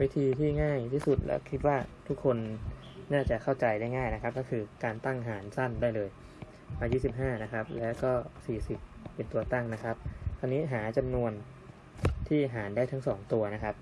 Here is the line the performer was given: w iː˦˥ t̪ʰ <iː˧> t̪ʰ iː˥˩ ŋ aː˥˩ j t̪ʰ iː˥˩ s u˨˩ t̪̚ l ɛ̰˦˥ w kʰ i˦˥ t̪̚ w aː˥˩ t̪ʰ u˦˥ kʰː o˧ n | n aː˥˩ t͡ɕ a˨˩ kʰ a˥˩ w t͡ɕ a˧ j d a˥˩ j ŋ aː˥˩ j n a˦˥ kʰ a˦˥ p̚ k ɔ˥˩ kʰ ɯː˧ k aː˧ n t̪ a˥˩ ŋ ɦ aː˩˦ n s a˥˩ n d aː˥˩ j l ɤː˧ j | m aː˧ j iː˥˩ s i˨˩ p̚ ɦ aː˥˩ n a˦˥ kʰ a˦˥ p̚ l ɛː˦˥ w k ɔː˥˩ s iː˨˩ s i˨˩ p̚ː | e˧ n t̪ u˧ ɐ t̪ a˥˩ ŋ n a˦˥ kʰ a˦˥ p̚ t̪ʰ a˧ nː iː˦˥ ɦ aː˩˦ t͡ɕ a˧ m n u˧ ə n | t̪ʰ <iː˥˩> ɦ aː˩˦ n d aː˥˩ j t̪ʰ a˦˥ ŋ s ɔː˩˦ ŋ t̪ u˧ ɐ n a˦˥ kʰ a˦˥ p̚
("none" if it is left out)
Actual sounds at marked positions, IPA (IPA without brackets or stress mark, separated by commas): iː˧, iː˥˩